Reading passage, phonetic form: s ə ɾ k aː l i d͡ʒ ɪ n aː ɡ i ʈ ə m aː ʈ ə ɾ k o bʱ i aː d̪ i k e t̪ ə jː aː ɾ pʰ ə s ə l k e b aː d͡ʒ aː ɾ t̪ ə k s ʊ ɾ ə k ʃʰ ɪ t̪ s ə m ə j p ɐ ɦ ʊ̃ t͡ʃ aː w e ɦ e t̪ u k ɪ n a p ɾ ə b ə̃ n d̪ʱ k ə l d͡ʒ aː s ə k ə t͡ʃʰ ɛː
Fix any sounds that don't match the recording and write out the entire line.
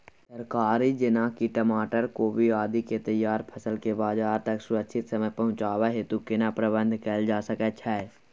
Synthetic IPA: s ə ɾ k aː ɾ i d͡ʒ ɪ n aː k i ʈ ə m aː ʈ ə ɾ k o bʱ i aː d̪ i k e t̪ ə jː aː ɾ pʰ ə s ə l k e b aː d͡ʒ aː ɾ t̪ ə k s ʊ ɾ ə k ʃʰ ɪ t̪ s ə m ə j p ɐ ɦ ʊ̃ t͡ʃ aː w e ɦ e t̪ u k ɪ n a p ɾ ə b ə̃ n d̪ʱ k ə l d͡ʒ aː s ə k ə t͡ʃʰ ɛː

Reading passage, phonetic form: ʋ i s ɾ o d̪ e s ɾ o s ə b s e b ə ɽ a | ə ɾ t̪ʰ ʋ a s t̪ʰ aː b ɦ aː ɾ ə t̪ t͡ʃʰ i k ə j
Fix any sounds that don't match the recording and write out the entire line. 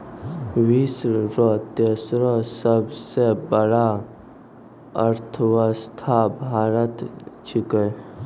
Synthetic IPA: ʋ i s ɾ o t̪ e s ɾ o s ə b s e b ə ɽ a | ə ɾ t̪ʰ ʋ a s t̪ʰ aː b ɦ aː ɾ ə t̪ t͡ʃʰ i k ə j

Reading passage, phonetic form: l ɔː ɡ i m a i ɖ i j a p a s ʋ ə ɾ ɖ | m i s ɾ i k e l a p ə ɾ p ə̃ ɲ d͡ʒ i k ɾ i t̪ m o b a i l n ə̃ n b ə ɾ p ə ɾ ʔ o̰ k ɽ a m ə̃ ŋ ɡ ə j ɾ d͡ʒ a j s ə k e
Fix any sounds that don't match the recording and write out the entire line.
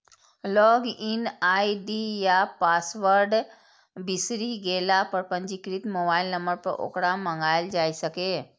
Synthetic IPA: l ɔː ɡ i n a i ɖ i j a p a s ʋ ə ɾ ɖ | b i s ɾ i ɡ e l a p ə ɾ p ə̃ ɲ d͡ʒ i k ɾ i t̪ m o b a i l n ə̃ m b ə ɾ p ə ɾ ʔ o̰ k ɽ a m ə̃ ŋ ɡ a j l d͡ʒ a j s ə k e

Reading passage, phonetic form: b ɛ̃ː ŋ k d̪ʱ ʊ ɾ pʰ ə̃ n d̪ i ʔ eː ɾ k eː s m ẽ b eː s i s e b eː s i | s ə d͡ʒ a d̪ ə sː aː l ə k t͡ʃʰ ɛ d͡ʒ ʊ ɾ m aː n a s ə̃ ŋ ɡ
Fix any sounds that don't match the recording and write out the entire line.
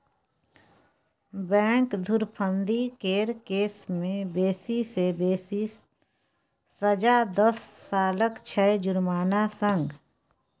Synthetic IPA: b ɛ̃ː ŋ k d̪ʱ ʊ ɾ pʰ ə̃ n d̪ i k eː ɾ k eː s m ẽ b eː s i s e b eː s i | s ə d͡ʒ a d̪ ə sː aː l ə k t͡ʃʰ ɛ d͡ʒ ʊ ɾ m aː n a s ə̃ ŋ ɡ

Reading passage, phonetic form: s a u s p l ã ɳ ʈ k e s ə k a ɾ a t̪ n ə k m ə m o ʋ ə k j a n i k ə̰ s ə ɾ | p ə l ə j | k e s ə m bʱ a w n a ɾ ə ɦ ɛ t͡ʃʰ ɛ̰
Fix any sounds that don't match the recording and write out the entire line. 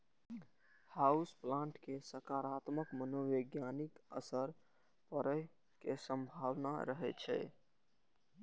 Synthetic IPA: h a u s p l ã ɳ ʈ k e s ə k a ɾ a t̪ m ə k m ə n o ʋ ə ɡ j a n i k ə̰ s ə ɾ | p ə ɾ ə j | k e s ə m bʱ a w n a ɾ ə ɦ ɛ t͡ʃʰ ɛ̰

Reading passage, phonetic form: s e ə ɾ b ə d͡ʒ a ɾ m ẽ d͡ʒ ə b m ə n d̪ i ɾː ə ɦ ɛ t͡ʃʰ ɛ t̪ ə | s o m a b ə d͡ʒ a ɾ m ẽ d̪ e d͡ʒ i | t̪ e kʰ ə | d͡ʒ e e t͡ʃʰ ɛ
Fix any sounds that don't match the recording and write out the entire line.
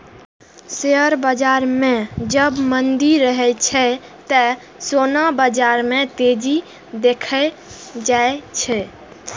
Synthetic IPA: s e ə ɾ b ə d͡ʒ a ɾ m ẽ d͡ʒ ə b m ə n d̪ i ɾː ə ɦ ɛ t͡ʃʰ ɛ t̪ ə | s o n a b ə d͡ʒ a ɾ m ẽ t̪ e d͡ʒ i | d̪ e kʰ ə | d͡ʒ a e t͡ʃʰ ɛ

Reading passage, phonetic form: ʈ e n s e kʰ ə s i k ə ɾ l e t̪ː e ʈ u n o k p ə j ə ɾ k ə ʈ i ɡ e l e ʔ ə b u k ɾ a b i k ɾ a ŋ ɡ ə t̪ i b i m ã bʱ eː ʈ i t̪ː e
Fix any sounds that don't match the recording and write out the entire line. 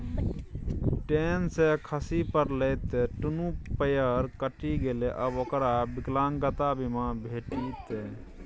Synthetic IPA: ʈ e n s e kʰ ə s i p ə ɾ l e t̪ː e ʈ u n u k p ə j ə ɾ k ə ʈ i ɡ e l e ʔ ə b o k ɾ a b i k l a ŋ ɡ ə t̪ a b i m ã bʱ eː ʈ i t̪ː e

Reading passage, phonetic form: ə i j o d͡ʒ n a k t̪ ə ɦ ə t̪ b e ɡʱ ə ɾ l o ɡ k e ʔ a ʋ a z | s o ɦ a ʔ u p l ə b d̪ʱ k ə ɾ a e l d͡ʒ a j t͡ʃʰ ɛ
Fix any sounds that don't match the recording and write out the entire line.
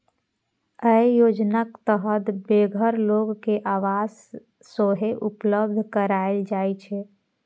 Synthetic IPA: ə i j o d͡ʒ n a k t̪ ə ɦ ə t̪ b e ɡʱ ə ɾ l o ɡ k e ʔ a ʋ a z | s o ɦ e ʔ u p l ə b d̪ʱ k ə ɾ a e l d͡ʒ a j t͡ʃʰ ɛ

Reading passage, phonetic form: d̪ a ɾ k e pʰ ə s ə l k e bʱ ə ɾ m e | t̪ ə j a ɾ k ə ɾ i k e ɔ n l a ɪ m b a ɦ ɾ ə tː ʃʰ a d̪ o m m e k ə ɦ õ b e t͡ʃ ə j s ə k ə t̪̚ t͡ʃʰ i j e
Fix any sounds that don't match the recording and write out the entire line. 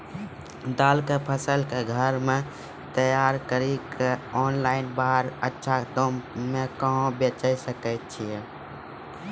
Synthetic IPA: d̪ a l k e pʰ ə s ə l k e ɡʱ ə ɾ m e | t̪ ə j a ɾ k ə ɾ i k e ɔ n l a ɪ n b a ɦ ɾ ə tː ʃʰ a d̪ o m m e k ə ɦ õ b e t͡ʃ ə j s ə k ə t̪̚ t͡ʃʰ i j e

